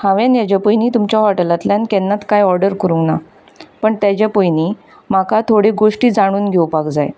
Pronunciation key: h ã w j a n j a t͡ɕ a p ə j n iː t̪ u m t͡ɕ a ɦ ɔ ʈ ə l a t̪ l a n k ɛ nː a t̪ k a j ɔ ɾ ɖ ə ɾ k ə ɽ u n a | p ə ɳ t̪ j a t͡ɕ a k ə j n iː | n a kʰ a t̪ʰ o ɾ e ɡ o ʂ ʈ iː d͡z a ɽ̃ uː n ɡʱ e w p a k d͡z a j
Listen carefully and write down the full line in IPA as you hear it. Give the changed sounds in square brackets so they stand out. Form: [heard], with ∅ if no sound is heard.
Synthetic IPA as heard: h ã [ʋ] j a n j a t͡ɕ a p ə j n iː t̪ u m t͡ɕ a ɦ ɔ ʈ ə l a t̪ l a n k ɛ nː a t̪ k a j ɔ ɾ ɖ ə ɾ k ə [ɾ] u n a | p ə ɳ t̪ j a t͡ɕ a [p] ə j n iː | [m] a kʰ a t̪ʰ o [ɽ] e ɡ o ʂ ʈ iː d͡z a ɽ̃ uː n ɡʱ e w p a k d͡z a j